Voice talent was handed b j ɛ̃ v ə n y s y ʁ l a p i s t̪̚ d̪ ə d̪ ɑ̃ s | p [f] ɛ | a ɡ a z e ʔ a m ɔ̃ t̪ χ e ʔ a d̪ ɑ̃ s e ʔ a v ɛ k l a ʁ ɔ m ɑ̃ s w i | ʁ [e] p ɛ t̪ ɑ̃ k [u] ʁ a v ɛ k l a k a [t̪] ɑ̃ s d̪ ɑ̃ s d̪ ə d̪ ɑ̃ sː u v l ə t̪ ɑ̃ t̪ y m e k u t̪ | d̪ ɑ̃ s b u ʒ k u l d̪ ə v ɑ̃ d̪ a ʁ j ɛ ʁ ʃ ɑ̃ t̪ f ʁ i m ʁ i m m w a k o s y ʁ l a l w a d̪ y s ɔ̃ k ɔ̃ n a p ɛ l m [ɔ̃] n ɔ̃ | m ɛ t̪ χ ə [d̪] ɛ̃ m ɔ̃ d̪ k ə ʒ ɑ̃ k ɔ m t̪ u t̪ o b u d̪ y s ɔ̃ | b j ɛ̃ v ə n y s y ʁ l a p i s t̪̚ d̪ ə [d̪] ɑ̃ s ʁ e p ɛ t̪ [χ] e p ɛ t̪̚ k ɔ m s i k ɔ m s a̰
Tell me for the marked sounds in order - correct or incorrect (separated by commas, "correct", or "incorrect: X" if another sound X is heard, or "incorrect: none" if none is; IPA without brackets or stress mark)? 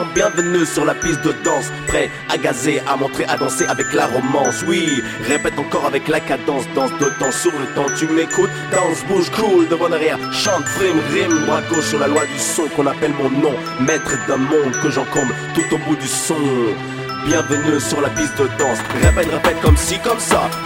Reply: incorrect: χ, correct, incorrect: ɔ, incorrect: d̪, correct, correct, correct, incorrect: ʁ